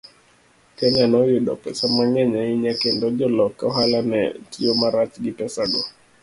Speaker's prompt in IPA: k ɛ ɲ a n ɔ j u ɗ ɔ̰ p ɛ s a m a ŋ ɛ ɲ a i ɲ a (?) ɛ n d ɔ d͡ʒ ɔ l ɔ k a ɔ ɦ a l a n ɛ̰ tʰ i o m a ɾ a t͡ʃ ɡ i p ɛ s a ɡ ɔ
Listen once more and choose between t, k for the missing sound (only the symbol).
k